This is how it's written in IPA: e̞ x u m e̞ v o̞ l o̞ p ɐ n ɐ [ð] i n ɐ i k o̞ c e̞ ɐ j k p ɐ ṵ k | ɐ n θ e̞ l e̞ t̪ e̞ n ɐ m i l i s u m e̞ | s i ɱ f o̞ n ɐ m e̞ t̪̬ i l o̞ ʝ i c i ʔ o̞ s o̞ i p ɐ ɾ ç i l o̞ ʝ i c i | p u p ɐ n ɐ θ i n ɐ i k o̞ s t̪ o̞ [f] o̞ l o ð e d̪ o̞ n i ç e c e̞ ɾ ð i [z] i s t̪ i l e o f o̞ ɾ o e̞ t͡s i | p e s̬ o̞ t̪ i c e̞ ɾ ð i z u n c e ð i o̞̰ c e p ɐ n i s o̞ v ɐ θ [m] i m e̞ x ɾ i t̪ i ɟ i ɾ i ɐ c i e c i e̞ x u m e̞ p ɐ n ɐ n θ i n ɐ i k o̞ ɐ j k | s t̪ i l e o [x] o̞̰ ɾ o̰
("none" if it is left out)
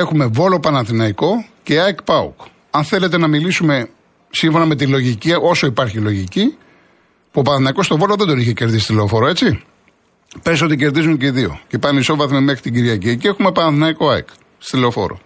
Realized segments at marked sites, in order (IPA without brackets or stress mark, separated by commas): θ, v, s, m, f